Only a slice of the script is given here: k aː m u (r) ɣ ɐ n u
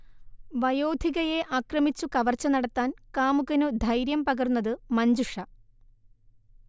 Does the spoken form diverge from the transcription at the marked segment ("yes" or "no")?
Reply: yes